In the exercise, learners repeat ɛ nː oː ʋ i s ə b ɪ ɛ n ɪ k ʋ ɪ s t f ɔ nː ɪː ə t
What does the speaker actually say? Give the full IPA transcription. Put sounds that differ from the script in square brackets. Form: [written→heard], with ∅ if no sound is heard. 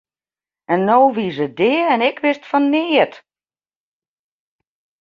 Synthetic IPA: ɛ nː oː ʋ i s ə [b→d] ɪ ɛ n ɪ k ʋ ɪ s t f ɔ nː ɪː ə t